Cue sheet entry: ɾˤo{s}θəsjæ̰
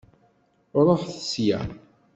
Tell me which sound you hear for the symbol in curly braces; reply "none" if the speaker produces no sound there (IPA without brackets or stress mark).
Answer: ħ